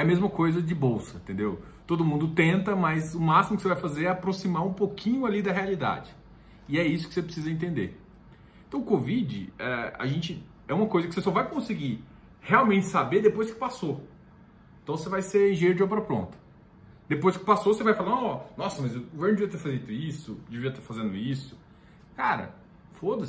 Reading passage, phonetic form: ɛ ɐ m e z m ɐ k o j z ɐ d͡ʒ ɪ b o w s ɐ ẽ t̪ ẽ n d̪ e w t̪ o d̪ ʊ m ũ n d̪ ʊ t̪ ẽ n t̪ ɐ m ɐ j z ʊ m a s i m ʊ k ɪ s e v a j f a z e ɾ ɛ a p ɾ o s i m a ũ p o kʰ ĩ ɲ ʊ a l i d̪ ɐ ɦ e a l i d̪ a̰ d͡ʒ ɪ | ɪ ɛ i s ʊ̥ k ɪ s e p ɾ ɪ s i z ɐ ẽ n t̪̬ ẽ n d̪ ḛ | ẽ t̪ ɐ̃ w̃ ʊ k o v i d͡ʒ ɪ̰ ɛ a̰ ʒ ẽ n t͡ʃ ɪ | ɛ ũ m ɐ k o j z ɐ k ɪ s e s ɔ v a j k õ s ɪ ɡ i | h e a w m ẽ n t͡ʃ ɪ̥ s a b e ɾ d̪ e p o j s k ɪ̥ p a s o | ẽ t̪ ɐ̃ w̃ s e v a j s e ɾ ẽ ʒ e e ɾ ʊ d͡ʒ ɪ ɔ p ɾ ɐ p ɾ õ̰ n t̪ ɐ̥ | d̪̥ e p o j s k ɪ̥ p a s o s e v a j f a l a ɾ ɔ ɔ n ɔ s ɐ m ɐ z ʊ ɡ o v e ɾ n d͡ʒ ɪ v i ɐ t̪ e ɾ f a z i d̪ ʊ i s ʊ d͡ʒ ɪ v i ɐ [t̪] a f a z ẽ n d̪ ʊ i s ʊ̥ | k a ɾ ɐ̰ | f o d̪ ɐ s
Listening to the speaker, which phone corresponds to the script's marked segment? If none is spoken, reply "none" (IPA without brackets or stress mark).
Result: t̪